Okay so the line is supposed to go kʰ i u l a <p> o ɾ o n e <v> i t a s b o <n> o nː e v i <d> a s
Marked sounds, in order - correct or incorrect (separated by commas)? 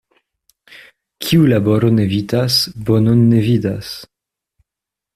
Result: incorrect, correct, correct, correct